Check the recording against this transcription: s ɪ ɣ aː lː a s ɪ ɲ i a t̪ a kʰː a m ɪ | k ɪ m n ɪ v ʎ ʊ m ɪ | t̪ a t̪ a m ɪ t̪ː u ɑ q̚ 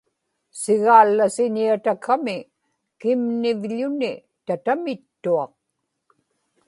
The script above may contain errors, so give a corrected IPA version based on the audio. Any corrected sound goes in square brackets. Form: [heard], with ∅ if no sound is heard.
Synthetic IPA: s ɪ ɣ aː lː a s ɪ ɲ i a t̪ a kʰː a m ɪ | k ɪ m n ɪ v ʎ ʊ [n] ɪ | t̪ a t̪ a m ɪ t̪ː u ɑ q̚